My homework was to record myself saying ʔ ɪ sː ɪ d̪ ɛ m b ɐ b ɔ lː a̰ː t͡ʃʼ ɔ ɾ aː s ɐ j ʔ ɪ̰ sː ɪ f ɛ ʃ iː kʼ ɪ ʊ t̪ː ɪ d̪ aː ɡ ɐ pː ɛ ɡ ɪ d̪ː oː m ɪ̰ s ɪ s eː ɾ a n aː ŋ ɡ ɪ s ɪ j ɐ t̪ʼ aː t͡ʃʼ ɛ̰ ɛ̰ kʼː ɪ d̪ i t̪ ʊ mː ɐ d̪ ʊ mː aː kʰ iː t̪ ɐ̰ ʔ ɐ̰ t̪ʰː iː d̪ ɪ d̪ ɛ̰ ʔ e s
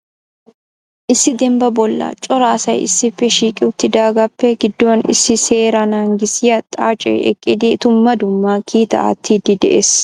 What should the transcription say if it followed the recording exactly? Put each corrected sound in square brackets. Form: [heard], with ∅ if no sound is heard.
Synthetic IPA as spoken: ʔ ɪ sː ɪ d̪ ɛ m b ɐ b ɔ lː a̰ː t͡ʃʼ ɔ ɾ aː s ɐ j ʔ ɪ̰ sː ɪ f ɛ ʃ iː kʼ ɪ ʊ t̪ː ɪ d̪ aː ɡ ɐ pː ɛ ɡ ɪ d̪ː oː [n] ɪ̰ s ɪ s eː ɾ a n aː ŋ ɡ ɪ s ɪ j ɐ t̪ʼ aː t͡ʃʼ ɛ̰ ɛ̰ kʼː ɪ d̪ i t̪ ʊ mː ɐ d̪ ʊ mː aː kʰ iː t̪ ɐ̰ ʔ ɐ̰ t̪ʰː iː d̪ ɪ d̪ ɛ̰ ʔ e s